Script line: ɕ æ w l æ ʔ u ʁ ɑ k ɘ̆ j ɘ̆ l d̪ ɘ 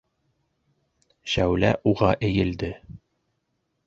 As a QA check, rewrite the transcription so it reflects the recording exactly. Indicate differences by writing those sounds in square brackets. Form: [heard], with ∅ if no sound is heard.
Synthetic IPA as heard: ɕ æ w l æ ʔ u ʁ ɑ [ʔ] ɘ̆ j ɘ̆ l d̪ ɘ